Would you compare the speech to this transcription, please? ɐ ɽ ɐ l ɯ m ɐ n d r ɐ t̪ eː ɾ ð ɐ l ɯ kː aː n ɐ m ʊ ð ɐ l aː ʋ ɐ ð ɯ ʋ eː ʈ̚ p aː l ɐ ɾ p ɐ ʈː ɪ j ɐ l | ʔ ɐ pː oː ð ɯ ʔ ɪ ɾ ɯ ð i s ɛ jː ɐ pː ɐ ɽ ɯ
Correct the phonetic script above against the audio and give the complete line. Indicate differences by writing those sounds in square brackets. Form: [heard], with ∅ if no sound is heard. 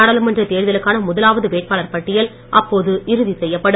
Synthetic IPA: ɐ ɽ ɐ l ɯ m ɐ n d r ɐ t̪ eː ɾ ð ɐ l ɯ kː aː n ɐ m ʊ ð ɐ l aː ʋ ɐ ð ɯ ʋ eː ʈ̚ p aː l ɐ ɾ p ɐ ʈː ɪ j ɐ l | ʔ ɐ pː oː ð ɯ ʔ ɪ ɾ ɯ ð i s ɛ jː ɐ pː ɐ ɽ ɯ